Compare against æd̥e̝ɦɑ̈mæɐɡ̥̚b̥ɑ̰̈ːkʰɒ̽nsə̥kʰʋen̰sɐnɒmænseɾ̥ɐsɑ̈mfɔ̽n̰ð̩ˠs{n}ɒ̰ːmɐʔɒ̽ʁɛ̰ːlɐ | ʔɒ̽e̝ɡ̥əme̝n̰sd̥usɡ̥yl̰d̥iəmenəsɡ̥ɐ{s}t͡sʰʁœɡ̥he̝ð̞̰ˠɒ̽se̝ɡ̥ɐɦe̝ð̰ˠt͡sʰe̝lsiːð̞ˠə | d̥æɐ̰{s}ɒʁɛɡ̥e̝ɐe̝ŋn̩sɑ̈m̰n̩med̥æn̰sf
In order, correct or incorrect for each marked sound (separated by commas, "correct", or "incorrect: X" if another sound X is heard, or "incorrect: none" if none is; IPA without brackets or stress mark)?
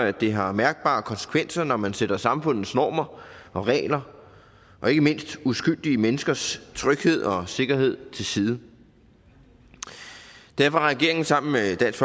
correct, correct, incorrect: f